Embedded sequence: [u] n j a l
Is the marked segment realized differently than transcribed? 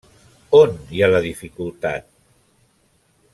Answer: yes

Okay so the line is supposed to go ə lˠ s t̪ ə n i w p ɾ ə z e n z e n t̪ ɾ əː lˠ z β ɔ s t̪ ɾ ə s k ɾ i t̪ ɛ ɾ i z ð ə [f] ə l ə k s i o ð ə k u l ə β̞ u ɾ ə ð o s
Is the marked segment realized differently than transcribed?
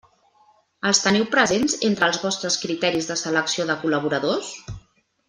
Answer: yes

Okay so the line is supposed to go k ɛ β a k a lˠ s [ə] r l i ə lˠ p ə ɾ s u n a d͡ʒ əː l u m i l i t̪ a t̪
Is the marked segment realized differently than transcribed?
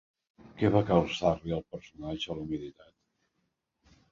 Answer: yes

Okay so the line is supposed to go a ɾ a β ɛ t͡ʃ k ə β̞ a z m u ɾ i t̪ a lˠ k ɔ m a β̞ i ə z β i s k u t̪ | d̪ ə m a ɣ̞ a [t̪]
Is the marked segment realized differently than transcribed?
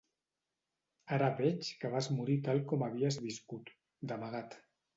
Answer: no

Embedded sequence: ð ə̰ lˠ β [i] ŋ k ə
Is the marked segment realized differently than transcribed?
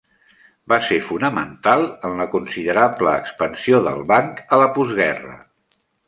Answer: yes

